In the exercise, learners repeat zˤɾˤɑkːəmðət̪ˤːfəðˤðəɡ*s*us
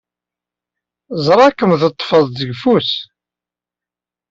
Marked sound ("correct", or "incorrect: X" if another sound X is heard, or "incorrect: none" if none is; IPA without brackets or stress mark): incorrect: f